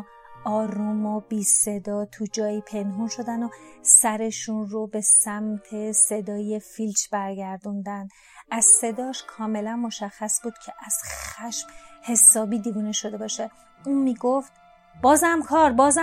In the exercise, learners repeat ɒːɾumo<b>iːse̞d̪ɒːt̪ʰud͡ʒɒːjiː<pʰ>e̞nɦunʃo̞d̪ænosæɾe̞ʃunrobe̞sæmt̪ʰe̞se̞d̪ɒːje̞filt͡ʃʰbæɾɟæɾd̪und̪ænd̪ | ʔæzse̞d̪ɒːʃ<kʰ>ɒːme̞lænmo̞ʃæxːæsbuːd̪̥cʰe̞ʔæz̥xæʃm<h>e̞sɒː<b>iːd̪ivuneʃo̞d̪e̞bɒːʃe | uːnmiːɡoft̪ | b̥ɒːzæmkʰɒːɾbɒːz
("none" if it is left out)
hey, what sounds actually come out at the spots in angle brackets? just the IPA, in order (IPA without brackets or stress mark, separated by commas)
b, pʰ, kʰ, h, b